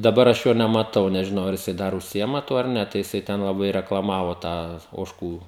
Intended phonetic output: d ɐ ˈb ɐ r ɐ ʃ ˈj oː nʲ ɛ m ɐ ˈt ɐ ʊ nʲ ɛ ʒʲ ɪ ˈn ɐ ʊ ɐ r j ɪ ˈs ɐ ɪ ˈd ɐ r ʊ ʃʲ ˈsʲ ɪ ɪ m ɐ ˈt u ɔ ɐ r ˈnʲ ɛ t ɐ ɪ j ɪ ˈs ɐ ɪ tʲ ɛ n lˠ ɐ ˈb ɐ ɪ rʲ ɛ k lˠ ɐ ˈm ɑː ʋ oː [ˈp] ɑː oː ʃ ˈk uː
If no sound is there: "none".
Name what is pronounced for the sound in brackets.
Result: t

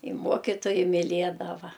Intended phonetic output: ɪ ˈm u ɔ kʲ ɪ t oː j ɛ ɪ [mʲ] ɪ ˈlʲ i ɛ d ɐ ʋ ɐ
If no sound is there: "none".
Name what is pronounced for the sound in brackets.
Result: mʲ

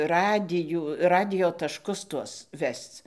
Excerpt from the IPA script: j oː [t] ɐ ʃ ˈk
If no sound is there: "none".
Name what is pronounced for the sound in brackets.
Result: t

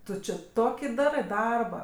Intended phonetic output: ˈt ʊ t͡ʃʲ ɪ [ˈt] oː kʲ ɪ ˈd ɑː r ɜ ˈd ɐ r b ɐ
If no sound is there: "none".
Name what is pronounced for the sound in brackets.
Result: t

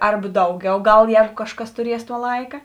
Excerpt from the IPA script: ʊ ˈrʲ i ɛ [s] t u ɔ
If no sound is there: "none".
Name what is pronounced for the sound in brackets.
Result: s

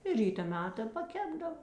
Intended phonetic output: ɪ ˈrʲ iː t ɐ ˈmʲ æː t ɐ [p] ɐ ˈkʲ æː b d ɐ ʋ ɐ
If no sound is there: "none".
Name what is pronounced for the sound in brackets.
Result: p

